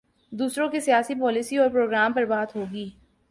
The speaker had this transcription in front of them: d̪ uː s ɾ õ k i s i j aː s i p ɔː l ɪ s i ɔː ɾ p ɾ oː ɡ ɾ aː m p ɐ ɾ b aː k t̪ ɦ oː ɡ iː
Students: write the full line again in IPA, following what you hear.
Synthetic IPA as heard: d̪ uː s ɾ õ k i s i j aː s i p ɔː l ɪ s i ɔː ɾ p ɾ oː ɡ ɾ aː m p ɐ ɾ b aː t̪ ɦ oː ɡ iː